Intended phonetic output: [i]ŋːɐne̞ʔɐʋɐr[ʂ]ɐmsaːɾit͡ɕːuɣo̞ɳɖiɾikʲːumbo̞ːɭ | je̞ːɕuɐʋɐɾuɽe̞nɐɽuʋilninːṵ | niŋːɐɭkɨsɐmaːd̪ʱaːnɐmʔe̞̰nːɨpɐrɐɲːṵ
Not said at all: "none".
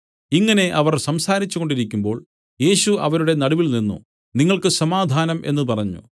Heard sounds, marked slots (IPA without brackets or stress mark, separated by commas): i, s